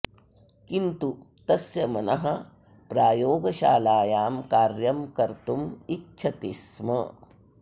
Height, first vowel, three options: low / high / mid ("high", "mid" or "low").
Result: high